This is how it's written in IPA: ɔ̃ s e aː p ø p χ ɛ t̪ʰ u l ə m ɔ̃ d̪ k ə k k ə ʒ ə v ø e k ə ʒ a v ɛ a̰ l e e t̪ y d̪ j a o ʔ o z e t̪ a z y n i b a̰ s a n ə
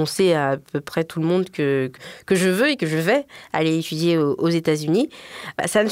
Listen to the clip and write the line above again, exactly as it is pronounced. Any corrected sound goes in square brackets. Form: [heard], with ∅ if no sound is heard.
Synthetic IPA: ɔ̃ s e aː p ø p χ ɛ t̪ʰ u l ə m ɔ̃ d̪ k ə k k ə ʒ ə v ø e k ə ʒ [ə] v ɛ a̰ l e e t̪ y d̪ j [e] o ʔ o z e t̪ a z y n i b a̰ s a n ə